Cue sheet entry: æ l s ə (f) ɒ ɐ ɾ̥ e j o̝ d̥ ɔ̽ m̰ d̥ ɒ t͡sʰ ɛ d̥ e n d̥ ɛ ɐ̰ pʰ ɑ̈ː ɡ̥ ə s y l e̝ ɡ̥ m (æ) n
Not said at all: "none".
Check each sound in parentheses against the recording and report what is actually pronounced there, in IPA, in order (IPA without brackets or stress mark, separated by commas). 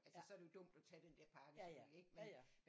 s, e